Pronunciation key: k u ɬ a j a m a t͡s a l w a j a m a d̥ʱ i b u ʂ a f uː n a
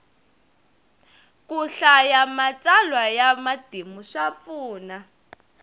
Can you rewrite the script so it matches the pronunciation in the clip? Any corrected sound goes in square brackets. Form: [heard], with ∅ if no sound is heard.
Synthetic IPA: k u ɬ a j a m a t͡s a l w a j a m a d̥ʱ i [m] u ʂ a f uː n a